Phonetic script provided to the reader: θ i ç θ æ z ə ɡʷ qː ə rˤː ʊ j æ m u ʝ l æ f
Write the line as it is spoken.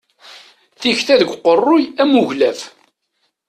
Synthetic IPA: θ i ç θ æ ð ə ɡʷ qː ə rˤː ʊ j æ m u ʝ l æ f